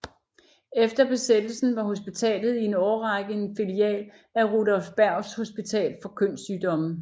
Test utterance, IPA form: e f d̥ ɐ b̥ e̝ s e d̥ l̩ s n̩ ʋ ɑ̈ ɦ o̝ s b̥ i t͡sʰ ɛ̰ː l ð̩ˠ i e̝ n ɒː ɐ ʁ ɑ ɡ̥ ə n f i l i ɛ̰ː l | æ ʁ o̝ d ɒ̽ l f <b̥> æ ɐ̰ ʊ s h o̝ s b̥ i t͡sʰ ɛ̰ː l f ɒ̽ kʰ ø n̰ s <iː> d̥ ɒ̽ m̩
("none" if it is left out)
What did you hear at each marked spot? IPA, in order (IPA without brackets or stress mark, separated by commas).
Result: b̥, yː